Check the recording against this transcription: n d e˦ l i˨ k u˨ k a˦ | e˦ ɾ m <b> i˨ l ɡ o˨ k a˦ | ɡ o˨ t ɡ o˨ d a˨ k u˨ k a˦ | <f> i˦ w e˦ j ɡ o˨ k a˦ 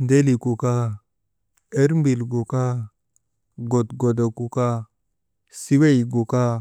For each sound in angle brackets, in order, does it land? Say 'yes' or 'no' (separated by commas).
yes, no